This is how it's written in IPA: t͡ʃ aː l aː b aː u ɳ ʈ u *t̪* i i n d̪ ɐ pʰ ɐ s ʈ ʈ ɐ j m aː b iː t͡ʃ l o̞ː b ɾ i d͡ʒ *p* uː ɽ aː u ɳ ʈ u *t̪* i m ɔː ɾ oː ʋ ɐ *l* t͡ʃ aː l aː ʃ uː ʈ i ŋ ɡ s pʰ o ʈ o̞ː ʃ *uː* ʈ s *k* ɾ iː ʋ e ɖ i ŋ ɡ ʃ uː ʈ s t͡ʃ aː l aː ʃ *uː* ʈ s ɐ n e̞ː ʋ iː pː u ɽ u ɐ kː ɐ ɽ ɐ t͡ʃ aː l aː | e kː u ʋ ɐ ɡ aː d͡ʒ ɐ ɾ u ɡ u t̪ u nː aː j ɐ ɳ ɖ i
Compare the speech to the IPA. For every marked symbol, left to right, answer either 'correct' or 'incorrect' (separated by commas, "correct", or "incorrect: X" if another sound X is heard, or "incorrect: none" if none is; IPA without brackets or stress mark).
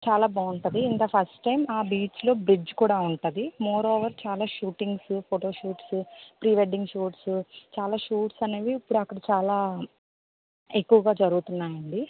incorrect: d̪, incorrect: k, incorrect: d̪, incorrect: ɾ, correct, incorrect: p, correct